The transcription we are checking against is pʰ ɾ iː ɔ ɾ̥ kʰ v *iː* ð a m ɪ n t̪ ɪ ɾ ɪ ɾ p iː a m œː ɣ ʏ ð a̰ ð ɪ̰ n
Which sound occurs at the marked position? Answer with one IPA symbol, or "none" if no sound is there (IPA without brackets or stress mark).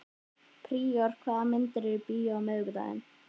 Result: aː